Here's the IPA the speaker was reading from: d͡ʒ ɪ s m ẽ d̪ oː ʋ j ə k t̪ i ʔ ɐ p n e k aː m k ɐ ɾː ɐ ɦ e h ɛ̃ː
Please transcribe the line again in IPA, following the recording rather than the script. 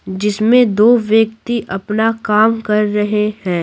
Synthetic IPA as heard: d͡ʒ ɪ s m ẽ d̪ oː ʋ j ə k t̪ i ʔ ɐ p n a k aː m k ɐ ɾː ɐ ɦ e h ɛ̃ː